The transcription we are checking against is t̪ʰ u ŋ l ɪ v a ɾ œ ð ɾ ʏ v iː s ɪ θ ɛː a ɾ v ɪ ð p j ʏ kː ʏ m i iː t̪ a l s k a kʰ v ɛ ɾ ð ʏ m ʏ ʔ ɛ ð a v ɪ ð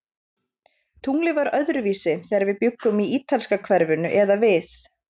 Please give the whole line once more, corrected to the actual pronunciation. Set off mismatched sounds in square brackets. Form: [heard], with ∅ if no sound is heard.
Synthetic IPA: t̪ʰ u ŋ l ɪ v a ɾ œ ð ɾ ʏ v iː s ɪ θ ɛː a ɾ v ɪ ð p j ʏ kː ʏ m i iː t̪ a l s k a kʰ v ɛ ɾ [v] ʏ [n] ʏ ʔ ɛ ð a v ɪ [θ]